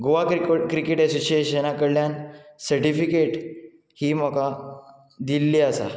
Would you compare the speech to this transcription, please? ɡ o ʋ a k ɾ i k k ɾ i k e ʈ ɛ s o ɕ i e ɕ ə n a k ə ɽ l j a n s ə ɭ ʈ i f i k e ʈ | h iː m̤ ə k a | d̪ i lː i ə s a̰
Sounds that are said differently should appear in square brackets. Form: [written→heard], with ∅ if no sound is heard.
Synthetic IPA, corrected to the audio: ɡ o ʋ a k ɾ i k k ɾ i k e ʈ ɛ s o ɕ i e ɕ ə n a k ə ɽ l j a n s ə [ɭ→ɾ] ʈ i f i k e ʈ | h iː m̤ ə k a | d̪ i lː i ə s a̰